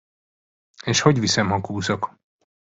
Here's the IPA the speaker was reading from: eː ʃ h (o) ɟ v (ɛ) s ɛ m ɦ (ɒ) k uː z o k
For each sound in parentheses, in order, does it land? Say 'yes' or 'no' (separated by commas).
yes, no, yes